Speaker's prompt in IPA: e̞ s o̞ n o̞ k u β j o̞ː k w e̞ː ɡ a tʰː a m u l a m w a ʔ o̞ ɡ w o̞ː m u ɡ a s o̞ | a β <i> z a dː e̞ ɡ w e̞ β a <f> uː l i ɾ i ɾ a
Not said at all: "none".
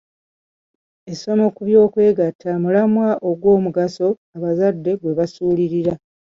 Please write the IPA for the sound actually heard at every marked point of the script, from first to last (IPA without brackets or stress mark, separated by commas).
a, s